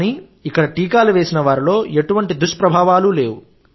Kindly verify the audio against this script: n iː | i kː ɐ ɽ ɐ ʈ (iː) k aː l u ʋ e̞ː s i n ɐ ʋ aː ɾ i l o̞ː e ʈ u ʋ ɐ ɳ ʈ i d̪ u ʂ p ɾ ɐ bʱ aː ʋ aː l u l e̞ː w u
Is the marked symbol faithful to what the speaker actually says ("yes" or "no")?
yes